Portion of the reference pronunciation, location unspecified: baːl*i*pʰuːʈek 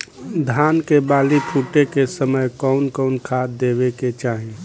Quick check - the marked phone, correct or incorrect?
correct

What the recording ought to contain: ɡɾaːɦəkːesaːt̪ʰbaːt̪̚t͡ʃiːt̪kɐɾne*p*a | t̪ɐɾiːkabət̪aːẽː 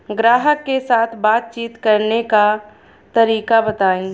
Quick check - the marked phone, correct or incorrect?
incorrect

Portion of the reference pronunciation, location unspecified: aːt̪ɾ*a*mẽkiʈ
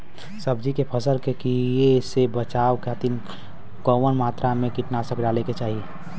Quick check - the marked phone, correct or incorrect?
correct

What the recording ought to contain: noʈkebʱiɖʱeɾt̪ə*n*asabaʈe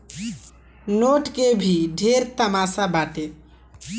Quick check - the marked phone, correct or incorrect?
incorrect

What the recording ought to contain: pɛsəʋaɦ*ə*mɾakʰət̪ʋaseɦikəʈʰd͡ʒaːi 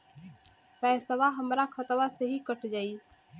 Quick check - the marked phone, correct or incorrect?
correct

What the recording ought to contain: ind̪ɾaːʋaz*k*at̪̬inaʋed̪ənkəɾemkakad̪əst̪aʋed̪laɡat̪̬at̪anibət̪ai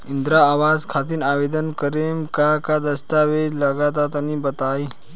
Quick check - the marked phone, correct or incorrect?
incorrect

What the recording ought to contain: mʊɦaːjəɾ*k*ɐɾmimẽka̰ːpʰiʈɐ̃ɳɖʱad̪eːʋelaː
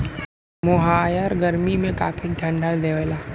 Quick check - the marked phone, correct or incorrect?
incorrect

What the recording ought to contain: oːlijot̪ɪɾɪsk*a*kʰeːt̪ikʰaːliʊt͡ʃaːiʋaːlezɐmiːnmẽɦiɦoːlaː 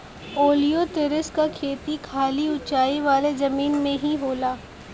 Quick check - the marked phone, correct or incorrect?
correct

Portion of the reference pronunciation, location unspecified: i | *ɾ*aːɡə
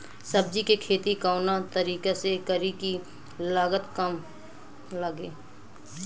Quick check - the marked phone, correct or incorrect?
incorrect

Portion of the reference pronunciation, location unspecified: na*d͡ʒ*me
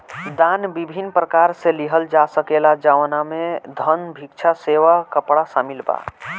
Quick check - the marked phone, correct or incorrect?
incorrect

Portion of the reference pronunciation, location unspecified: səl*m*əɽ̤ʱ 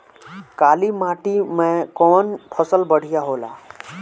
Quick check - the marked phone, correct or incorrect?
incorrect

